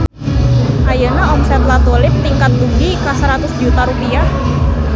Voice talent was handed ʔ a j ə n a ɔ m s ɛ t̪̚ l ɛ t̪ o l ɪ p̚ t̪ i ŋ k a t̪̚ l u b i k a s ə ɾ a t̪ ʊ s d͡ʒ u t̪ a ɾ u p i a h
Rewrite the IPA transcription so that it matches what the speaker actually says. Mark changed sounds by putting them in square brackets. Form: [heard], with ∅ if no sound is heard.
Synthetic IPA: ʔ a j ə n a ɔ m s ɛ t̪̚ l [a] t̪ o l ɪ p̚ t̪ i ŋ k a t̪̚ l u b i k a s ə ɾ a t̪ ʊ s d͡ʒ u t̪ a ɾ u p i a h